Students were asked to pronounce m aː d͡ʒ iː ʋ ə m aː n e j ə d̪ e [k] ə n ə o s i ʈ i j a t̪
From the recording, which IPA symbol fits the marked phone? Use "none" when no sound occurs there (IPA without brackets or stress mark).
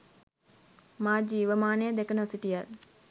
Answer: k